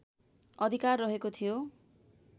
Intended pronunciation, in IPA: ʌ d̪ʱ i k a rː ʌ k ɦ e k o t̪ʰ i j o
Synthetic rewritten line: ʌ d̪ʱ i k a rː ʌ ɦ e k o t̪ʰ i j o